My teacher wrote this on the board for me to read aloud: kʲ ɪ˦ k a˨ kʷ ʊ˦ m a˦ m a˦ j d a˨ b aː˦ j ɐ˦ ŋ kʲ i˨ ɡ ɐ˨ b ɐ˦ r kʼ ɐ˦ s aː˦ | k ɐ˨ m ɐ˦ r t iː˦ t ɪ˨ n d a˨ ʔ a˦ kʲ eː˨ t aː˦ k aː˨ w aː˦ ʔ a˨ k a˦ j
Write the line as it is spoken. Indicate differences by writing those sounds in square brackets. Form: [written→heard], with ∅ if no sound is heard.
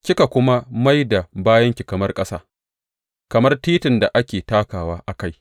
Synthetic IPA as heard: kʲ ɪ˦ k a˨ kʷ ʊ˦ m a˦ m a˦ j d a˨ b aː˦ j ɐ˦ ŋ kʲ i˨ [ɡ→k] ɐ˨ [b→m] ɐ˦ r kʼ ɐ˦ s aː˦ | k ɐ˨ m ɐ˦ r t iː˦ t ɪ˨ n d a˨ ʔ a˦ kʲ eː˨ t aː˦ k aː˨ w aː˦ ʔ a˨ k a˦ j